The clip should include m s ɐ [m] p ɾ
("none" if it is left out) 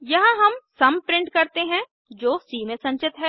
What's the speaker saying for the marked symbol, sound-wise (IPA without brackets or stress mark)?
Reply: m